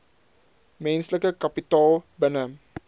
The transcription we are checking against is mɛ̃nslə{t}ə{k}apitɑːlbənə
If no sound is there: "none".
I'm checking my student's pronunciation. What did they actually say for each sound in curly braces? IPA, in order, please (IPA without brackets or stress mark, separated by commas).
k, k